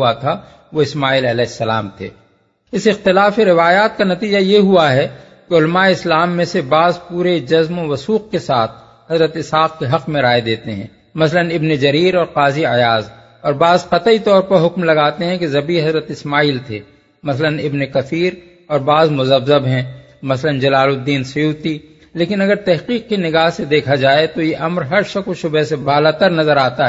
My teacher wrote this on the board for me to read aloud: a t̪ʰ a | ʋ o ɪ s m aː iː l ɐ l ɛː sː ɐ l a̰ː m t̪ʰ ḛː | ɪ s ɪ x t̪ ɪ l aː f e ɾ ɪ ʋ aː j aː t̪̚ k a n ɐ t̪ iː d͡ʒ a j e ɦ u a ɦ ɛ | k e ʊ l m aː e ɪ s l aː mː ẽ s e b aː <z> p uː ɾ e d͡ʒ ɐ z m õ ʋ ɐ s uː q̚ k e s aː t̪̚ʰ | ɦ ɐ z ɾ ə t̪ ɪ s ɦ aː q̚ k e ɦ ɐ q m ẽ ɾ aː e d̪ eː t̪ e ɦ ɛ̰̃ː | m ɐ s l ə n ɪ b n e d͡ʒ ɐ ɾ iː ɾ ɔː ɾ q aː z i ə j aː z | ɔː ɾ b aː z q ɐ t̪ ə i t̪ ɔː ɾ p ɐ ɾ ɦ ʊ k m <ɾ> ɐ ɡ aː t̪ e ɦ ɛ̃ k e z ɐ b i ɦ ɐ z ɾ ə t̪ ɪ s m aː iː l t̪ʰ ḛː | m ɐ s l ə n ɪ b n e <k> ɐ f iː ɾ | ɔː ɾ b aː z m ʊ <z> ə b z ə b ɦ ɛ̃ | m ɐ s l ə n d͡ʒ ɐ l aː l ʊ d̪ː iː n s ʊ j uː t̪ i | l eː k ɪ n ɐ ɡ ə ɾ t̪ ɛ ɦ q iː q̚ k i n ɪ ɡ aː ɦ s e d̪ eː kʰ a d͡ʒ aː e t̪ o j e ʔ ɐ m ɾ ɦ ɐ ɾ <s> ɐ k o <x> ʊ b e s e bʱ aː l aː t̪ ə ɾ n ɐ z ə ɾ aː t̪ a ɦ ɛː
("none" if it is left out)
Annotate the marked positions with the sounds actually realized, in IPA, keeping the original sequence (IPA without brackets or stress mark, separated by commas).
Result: z, l, k, z, ʃ, ʃ